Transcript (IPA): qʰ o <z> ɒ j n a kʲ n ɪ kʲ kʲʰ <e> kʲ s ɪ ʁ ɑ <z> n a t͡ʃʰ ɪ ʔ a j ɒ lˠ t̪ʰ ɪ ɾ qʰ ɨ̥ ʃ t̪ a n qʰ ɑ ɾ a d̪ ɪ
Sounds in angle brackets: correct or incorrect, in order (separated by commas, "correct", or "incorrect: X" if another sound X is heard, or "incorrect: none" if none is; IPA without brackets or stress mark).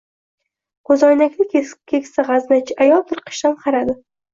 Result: correct, correct, correct